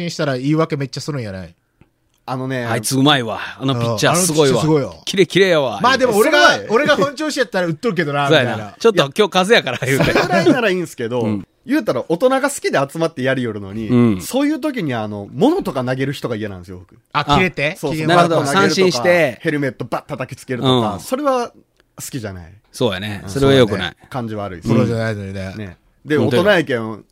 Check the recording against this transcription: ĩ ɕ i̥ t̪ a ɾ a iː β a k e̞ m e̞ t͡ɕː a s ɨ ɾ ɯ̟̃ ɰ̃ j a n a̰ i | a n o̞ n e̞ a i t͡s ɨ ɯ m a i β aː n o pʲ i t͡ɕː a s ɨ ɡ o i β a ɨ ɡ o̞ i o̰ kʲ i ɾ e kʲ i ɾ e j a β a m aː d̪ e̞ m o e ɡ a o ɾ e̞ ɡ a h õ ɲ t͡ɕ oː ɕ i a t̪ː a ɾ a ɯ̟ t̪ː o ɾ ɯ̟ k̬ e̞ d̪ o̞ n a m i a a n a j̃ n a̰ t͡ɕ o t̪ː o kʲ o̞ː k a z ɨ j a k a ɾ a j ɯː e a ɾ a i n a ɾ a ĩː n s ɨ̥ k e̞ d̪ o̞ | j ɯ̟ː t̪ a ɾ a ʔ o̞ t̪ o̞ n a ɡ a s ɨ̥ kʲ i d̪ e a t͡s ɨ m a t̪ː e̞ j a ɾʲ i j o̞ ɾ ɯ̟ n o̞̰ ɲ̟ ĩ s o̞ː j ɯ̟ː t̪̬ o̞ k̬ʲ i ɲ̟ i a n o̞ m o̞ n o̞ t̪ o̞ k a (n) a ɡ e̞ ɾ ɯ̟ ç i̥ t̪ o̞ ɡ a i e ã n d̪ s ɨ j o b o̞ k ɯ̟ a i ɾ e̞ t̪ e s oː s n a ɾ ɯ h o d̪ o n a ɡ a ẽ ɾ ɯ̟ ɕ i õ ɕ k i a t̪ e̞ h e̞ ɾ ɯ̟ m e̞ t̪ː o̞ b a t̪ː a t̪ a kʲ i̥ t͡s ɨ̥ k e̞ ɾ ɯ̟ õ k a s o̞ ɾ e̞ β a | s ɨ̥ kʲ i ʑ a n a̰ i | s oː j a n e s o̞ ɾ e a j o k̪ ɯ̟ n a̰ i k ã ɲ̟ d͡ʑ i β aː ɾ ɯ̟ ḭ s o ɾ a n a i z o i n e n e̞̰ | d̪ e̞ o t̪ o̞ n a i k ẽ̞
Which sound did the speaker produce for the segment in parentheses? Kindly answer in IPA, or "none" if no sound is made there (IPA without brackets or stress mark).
n